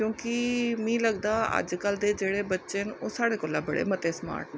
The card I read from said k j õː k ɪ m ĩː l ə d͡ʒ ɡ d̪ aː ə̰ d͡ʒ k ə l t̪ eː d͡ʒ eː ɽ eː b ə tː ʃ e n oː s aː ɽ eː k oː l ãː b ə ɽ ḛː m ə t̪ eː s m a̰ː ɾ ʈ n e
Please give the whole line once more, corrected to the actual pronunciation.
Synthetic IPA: k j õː k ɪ m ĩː l ə ɡ d̪ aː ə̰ d͡ʒ k ə l d̪ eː d͡ʒ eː ɽ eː b ə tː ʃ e n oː s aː ɽ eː k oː l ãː b ə ɽ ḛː m ə t̪ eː s m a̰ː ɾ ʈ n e